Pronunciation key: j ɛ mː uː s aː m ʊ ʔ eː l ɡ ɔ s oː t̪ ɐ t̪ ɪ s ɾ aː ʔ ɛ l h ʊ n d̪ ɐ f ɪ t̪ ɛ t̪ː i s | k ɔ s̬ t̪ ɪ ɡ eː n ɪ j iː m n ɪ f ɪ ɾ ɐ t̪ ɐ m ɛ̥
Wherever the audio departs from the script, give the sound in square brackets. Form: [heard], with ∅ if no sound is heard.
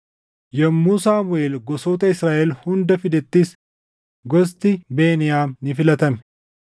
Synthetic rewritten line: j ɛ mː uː s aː m ʊ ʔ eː l ɡ ɔ s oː t̪ ɐ [∅] ɪ s ɾ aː ʔ ɛ l h ʊ n d̪ ɐ f ɪ [d̪] ɛ t̪ː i s | [ɡ] ɔ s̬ t̪ ɪ [b] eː n ɪ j [aː] m n ɪ f ɪ [l] ɐ t̪ ɐ m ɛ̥